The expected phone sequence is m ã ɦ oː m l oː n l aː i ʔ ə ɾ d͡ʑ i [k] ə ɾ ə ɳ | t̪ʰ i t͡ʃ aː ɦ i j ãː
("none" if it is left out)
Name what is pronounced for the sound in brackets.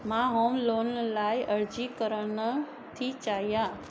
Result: k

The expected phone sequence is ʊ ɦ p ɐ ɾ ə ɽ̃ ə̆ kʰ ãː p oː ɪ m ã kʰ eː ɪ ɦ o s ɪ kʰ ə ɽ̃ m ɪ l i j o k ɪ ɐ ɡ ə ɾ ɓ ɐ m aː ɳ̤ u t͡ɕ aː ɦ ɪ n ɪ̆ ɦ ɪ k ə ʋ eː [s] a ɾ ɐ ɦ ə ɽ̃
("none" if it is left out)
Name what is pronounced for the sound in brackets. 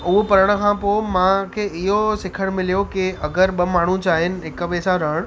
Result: s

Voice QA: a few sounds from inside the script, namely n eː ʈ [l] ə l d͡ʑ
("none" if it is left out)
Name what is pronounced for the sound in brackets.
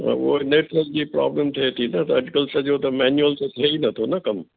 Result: ɾ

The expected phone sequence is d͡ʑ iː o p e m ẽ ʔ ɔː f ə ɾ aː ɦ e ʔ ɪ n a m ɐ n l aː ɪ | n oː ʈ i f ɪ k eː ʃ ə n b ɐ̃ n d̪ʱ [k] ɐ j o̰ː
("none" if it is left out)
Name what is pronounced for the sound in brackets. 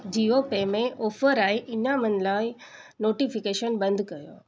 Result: k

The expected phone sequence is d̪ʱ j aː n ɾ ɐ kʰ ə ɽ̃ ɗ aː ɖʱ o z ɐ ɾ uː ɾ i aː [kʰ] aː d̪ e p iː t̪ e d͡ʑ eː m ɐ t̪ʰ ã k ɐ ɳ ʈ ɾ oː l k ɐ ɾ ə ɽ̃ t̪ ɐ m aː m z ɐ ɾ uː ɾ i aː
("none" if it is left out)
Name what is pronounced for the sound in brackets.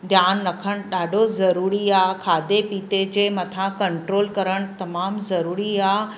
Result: kʰ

